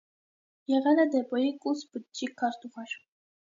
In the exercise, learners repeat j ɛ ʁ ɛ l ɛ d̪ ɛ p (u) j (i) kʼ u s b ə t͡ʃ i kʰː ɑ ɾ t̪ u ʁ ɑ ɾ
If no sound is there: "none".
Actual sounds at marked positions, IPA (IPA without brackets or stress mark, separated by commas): ɔ, i